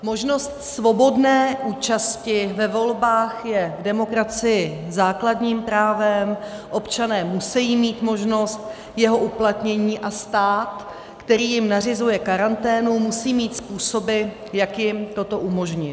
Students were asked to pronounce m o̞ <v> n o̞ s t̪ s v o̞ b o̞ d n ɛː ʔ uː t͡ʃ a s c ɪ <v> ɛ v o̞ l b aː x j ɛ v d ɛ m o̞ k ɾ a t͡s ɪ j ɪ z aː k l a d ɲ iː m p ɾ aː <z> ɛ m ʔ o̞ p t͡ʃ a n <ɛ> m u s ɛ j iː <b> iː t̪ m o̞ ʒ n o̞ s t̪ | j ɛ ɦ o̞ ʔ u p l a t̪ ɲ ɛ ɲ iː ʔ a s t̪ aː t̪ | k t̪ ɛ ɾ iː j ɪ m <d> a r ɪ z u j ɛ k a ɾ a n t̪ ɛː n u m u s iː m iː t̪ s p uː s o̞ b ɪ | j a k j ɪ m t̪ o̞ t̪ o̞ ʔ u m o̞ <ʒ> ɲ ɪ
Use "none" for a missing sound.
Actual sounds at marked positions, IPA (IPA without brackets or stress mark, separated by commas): ʒ, v, v, ɛː, m, n, ʒ